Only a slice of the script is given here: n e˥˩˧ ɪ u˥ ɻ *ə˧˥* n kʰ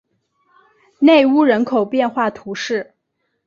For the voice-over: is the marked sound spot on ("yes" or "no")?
yes